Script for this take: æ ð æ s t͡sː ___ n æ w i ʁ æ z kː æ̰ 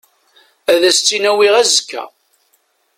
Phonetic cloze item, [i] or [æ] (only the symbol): i